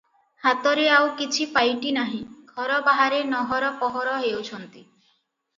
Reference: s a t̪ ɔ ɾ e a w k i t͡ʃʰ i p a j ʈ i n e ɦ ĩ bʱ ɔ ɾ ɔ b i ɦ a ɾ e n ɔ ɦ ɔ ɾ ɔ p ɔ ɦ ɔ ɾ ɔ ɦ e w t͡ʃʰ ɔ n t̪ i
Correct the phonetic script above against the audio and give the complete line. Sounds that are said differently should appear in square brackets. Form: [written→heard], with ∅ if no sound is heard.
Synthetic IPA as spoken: [s→h] a t̪ ɔ ɾ e a w k i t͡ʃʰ i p a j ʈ i n [e→a] ɦ ĩ [bʱ→ɡʱ] ɔ ɾ ɔ b [i→a] ɦ a ɾ e n ɔ ɦ ɔ ɾ ɔ p ɔ ɦ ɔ ɾ ɔ ɦ e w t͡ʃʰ ɔ n t̪ i